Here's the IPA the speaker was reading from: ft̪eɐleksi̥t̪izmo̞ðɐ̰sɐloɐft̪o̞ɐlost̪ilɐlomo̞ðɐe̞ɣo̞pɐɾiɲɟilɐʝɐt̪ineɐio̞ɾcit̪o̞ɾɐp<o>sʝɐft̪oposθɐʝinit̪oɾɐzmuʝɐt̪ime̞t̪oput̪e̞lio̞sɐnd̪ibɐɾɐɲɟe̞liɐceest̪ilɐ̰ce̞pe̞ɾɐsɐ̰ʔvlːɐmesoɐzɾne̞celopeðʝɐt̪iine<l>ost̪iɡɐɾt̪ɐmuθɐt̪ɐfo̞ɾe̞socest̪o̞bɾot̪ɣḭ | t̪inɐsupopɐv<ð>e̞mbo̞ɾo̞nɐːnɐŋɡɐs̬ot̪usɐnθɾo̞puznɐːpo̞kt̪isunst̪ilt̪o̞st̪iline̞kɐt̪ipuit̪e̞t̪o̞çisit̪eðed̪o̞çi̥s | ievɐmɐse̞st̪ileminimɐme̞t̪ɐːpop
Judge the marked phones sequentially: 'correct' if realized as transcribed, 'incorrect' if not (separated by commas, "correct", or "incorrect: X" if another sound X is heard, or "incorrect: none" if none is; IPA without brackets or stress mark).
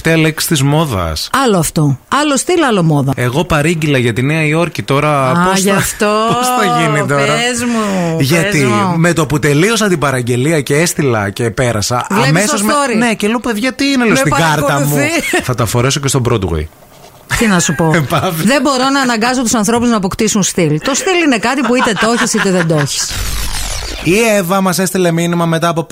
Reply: correct, correct, correct